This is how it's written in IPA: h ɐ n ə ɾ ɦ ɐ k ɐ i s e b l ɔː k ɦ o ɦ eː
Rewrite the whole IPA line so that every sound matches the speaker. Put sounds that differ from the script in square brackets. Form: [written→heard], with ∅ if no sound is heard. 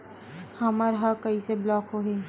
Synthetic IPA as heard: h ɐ [n→m] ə ɾ ɦ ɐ k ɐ i s e b l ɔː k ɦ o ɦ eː